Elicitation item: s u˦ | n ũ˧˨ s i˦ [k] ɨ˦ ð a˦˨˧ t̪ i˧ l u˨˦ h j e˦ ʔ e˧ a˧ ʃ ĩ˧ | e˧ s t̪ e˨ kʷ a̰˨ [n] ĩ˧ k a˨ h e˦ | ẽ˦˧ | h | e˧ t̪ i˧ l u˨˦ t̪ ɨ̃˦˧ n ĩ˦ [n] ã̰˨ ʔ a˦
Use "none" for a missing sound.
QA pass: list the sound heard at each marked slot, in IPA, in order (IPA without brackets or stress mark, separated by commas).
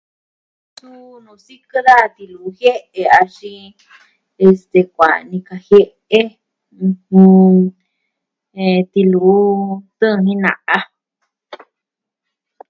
k, n, n